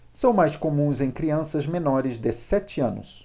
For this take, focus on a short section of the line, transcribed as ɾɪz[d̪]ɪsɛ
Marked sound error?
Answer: no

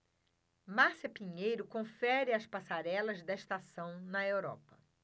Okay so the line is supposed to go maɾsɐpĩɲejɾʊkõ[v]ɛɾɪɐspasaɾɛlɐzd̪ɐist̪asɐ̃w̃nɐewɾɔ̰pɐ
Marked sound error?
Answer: yes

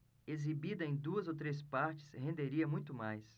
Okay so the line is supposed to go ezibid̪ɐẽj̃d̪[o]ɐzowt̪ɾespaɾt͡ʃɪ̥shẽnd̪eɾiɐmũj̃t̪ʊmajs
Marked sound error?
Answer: yes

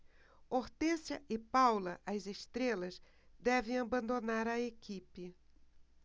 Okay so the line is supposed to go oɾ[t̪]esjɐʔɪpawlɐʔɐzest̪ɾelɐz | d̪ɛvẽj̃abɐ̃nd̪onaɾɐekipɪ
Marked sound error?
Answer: no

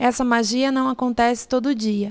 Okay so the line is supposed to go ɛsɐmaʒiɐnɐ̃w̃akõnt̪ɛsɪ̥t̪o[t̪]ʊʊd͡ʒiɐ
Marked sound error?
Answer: yes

